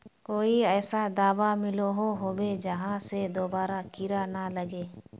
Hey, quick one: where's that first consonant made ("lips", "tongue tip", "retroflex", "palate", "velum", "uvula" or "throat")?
velum